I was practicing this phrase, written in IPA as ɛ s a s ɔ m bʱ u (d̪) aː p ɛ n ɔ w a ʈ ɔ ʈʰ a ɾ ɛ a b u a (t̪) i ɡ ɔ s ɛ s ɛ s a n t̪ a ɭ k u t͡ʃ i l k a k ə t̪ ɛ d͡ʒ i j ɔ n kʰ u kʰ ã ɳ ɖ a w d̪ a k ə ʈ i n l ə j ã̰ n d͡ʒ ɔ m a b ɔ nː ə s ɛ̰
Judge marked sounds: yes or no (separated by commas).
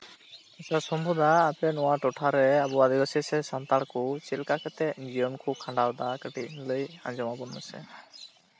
yes, no